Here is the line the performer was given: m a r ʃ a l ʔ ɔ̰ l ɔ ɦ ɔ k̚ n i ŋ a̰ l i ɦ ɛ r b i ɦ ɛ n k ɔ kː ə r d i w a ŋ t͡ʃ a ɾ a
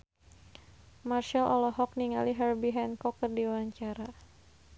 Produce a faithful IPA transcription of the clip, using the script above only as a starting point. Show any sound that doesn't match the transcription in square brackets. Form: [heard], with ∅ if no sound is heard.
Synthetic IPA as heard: m a r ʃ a l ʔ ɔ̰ l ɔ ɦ ɔ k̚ n i ŋ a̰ l i ɦ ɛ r b i ɦ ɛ n k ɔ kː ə r d i w a [ɲ] t͡ʃ a ɾ a